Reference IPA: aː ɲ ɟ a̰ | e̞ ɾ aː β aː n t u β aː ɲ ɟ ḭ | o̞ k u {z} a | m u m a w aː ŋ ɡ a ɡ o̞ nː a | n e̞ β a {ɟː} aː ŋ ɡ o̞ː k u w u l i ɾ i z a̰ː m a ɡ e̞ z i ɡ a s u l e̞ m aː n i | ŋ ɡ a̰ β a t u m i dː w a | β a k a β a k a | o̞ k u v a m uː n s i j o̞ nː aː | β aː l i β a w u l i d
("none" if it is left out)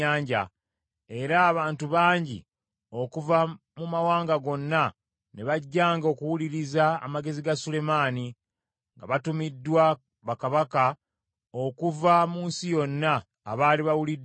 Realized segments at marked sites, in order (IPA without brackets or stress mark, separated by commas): v, ɟː